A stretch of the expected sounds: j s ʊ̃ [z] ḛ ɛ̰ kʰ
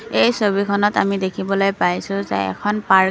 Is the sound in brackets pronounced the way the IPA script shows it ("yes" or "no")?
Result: yes